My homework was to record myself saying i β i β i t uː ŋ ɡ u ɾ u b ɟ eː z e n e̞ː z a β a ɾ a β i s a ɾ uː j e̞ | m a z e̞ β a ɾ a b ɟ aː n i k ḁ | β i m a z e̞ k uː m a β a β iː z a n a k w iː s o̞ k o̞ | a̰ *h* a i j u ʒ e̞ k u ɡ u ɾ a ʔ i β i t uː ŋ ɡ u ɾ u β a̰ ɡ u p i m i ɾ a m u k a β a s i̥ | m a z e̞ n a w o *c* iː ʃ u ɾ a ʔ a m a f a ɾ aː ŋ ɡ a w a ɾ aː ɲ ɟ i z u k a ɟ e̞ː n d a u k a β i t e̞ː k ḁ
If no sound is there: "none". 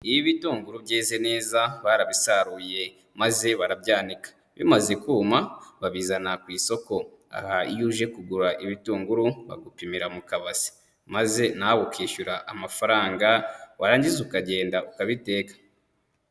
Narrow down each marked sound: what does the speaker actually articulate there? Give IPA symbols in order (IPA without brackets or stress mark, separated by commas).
h, k